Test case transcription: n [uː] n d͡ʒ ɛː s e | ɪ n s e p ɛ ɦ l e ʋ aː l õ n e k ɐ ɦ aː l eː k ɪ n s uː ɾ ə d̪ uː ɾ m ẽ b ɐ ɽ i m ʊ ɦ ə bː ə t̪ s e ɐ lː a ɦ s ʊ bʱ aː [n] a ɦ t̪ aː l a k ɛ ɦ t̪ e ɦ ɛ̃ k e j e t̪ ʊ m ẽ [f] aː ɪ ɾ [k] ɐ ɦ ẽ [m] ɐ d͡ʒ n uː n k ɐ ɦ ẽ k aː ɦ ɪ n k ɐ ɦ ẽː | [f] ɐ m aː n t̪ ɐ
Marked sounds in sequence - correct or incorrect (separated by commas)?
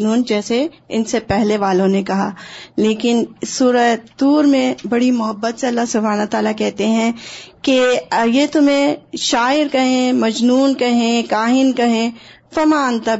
correct, correct, incorrect, correct, correct, correct